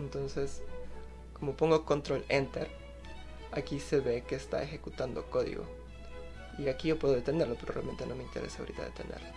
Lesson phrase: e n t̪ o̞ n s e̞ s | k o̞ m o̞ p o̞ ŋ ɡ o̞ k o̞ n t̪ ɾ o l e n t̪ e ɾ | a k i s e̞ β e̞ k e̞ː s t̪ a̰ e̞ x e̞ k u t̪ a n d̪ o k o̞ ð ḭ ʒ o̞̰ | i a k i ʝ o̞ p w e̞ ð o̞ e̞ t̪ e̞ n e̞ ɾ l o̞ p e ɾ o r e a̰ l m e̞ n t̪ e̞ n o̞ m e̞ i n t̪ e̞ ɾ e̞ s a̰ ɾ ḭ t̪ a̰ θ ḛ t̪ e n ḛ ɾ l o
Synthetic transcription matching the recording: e n t̪ o̞ n s e̞ s | k o̞ m o̞ p o̞ ŋ ɡ o̞ k o̞ n t̪ ɾ o l e n t̪ e ɾ | a k i s e̞ β e̞ k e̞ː s t̪ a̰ e̞ x e̞ k u t̪ a n d̪ o k o̞ ð ḭ ɣ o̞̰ | i a k i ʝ o̞ p w e̞ ð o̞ e̞ t̪ e̞ n e̞ ɾ l o̞ p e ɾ o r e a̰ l m e̞ n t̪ e̞ n o̞ m e̞ i n t̪ e̞ ɾ e̞ s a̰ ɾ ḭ t̪ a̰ ð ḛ t̪ e n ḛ ɾ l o